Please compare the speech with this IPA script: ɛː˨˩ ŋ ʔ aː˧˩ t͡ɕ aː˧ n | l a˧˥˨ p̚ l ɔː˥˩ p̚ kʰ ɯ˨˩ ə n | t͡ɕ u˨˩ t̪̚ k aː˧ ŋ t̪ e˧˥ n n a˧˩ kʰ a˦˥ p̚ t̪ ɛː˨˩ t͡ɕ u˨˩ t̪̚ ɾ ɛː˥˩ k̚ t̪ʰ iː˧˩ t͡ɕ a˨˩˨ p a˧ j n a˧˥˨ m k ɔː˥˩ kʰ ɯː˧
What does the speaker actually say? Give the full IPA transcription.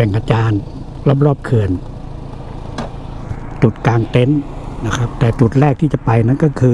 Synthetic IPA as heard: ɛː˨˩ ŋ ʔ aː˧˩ t͡ɕ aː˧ n | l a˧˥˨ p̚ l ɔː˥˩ p̚ kʰ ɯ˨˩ ə n | t͡ɕ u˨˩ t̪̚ k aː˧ ŋ t̪ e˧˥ n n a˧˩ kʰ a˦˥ p̚ t̪ ɛː˨˩ t͡ɕ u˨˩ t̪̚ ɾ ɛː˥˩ k̚ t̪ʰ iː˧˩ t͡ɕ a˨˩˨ p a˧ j n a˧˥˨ n k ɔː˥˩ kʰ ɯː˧

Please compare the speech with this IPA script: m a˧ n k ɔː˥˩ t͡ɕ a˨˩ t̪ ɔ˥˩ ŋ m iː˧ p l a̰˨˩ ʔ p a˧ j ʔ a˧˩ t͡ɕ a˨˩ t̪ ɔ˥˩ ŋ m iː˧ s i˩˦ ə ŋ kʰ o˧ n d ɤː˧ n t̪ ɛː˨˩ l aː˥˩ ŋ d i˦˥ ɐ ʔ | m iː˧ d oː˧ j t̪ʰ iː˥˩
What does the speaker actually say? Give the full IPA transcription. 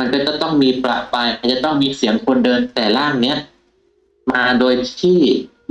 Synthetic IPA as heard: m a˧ n k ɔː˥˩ t͡ɕ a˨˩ t̪ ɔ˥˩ ŋ m iː˧ p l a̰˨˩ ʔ p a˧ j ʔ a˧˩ t͡ɕ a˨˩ t̪ ɔ˥˩ ŋ m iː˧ s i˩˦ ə ŋ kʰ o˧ n d ɤː˧ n t̪ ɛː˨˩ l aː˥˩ ŋ n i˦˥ ɐ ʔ | m aː˧ d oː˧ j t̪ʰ iː˥˩

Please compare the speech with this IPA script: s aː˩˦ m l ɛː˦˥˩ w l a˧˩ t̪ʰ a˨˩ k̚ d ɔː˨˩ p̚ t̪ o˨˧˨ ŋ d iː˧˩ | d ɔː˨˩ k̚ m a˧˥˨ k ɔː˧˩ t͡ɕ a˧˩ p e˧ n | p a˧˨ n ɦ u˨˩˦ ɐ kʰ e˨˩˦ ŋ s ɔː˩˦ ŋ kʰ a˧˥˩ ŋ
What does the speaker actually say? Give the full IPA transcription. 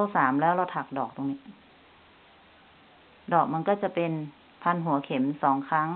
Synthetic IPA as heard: s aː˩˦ m l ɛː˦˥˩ w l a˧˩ t̪ʰ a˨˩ k̚ d ɔː˨˩ k̚ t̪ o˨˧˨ ŋ n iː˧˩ | d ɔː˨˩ k̚ m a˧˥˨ k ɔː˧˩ t͡ɕ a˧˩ p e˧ n | pʰ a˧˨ n ɦ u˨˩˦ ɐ kʰ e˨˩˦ m s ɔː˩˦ ŋ kʰ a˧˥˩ ŋ

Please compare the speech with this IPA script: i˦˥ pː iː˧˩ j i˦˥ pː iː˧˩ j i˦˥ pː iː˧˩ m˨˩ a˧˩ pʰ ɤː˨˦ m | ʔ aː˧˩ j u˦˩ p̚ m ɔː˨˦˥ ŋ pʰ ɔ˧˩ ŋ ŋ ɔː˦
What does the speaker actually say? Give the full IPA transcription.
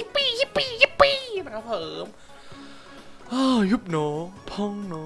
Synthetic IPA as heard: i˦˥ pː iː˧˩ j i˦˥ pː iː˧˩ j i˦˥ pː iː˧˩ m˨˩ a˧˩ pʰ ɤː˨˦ m | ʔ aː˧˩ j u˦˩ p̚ n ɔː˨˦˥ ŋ pʰ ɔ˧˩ ŋ n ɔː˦

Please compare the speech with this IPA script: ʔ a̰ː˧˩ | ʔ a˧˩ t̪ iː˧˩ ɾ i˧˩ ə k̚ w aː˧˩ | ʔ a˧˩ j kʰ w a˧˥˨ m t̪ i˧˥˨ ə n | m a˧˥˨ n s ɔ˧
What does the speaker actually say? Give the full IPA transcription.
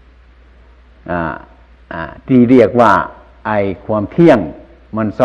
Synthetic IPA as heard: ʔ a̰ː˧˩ | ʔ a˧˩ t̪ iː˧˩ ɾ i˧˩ ə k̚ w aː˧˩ | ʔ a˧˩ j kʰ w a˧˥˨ m t̪ʰ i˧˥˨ ə ŋ | m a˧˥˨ n s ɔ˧

